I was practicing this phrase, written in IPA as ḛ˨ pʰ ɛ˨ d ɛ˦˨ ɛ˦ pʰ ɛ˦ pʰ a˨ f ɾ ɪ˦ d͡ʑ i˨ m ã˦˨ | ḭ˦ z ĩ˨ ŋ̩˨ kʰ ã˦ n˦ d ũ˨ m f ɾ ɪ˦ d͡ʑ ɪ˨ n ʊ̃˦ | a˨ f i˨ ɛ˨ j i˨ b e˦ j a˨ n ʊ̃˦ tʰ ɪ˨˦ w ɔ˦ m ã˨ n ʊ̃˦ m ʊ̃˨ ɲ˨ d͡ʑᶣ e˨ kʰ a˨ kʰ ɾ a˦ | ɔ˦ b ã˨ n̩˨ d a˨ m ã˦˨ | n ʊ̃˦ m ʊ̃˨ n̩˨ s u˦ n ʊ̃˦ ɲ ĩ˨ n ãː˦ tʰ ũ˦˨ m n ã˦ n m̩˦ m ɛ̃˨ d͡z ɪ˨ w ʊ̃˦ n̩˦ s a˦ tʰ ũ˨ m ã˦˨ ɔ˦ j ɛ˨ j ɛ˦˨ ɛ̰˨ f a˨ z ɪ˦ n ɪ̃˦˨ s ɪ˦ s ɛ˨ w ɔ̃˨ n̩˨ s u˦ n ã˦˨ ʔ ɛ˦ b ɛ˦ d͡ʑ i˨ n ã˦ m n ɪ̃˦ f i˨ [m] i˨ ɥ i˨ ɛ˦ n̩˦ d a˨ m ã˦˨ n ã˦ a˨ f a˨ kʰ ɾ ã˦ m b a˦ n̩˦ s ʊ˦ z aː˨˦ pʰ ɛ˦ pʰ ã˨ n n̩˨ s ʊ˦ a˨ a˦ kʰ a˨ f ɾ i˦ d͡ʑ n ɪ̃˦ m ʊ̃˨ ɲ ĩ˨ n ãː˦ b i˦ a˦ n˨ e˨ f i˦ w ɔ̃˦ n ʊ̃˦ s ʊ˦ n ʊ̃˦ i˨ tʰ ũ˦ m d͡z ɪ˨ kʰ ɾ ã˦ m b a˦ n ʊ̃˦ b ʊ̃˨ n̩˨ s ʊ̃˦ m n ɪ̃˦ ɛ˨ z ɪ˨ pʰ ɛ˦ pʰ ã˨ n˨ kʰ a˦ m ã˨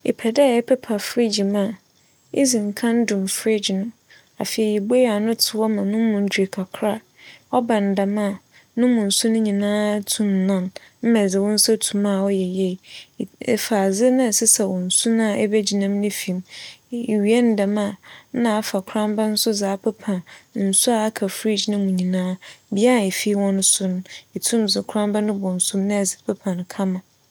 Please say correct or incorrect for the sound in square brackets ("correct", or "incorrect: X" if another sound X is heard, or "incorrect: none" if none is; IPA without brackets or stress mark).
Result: correct